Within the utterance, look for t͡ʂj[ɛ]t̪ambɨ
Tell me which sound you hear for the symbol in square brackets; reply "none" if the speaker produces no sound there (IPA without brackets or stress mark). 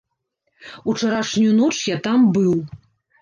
a